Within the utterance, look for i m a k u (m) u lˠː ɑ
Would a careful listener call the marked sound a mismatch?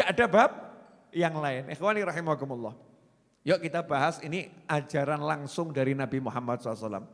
no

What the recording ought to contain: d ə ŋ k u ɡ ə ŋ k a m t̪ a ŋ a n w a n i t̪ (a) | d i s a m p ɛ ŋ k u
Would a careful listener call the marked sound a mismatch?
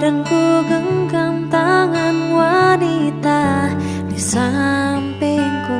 no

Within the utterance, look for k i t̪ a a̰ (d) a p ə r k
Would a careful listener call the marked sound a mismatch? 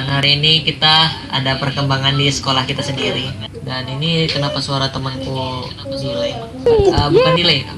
no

